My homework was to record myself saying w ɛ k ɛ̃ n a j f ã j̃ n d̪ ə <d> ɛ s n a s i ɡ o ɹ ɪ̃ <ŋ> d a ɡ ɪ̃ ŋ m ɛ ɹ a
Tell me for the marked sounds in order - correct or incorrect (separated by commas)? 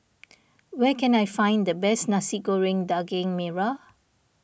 incorrect, correct